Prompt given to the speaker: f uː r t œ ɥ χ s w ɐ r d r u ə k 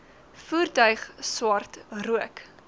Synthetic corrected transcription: f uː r t œ ɥ χ s w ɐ r t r u ə k

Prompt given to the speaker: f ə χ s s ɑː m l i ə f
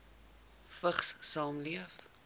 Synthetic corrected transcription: f ə χ s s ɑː m l i ə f

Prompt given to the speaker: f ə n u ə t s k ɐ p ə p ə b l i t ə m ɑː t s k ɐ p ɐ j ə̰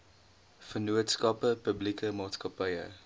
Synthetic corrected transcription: f ə n u ə t s k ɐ p ə p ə b l i k ə m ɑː t s k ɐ p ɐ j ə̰

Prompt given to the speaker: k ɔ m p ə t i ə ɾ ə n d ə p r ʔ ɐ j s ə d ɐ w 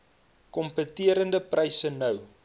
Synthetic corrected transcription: k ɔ m p ə t i ə ɾ ə n d ə p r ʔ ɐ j s ə n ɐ w

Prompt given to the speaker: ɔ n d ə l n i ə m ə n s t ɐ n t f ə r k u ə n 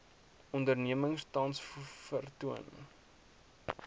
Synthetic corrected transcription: ɔ n d ə r n i ə m ə ŋ s t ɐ n s f ə r t u ə n

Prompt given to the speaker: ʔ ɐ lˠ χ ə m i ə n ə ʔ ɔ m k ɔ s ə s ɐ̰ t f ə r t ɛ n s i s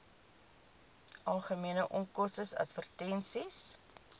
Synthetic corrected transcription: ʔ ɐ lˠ χ ə m i ə n ə ʔ ɔ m k ɔ s ə s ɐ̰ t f ə r t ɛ n s i s

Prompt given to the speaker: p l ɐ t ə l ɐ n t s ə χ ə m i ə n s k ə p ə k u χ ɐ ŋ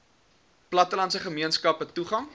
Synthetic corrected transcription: p l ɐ t ə l ɐ n t s ə χ ə m i ə n s k ɐ p ə t u χ ɐ ŋ

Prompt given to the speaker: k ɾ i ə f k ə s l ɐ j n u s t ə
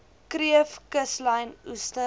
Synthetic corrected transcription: k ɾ i ə f k ə s l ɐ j n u s t ə

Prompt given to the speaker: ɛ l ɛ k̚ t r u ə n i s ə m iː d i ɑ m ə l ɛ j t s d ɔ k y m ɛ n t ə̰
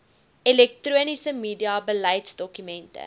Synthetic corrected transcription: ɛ l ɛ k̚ t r u ə n i s ə m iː d i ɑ b ə l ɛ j t s d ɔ k y m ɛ n t ə̰

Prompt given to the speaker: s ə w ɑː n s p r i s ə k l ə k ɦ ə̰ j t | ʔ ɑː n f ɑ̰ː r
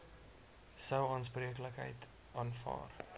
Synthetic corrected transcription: s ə w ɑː n s p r i ə k l ə k ɦ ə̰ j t | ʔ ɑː n f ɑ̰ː r

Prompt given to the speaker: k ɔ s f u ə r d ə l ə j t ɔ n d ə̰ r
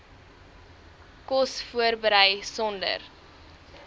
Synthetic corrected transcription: k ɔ s f u ə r b ə ɾ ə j s ɔ n d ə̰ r

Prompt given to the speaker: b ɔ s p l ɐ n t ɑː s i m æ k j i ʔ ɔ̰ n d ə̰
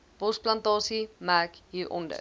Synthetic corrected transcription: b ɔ s p l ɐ n t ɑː s i m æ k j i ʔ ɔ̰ n d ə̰

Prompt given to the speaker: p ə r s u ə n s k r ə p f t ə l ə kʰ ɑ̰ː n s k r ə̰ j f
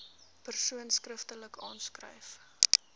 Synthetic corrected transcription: p ə r s u ə n s k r ə f t ə l ə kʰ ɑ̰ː n s k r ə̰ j f

